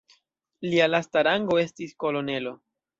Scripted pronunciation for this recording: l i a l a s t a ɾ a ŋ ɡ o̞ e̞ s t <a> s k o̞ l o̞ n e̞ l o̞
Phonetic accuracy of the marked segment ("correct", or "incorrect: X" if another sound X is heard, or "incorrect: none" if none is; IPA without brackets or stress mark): incorrect: i